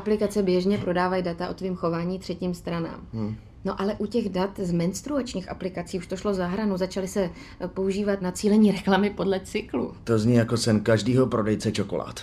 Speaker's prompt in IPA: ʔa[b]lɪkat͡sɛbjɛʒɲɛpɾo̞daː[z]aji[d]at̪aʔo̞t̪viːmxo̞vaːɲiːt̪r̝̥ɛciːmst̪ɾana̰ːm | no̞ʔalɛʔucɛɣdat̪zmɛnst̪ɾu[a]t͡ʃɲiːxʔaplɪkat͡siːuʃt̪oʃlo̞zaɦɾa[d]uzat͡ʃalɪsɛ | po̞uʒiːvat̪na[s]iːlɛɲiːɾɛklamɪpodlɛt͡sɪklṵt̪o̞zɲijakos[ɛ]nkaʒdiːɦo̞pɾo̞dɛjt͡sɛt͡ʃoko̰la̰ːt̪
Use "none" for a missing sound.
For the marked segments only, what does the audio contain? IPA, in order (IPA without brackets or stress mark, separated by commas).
p, v, d, a, n, t͡s, ɛ